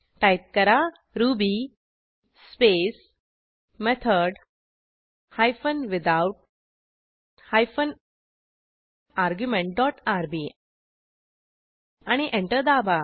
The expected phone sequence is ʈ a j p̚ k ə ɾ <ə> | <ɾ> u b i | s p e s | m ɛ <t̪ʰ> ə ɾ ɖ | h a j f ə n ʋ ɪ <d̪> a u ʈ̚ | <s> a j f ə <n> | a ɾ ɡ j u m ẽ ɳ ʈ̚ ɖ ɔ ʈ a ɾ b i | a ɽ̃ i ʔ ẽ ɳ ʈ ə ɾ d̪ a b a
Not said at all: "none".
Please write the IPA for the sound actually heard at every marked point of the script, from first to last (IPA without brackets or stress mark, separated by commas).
a, ɾ, t̪ʰ, d̪, h, n